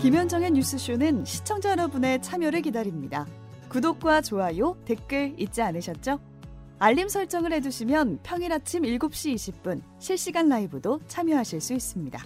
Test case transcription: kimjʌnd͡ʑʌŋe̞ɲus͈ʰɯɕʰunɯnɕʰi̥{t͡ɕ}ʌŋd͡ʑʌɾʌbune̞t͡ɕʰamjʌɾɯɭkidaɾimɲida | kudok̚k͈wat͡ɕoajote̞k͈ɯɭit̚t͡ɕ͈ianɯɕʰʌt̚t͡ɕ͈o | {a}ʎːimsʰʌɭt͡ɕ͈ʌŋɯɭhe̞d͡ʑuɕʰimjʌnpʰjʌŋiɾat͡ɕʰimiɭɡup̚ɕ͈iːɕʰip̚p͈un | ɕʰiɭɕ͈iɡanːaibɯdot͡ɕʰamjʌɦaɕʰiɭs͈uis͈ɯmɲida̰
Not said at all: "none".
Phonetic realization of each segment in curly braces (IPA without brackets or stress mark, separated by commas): t͡ɕʰ, a